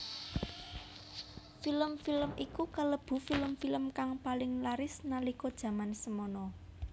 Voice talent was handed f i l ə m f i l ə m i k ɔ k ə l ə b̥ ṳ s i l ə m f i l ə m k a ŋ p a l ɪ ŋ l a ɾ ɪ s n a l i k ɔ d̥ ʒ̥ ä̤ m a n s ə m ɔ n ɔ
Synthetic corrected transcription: f i l ə m f i l ə m i k u k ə l ə b̥ ṳ f i l ə m f i l ə m k a ŋ p a l ɪ ŋ l a ɾ ɪ s n a l i k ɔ d̥ ʒ̥ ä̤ m a n s ə m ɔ n ɔ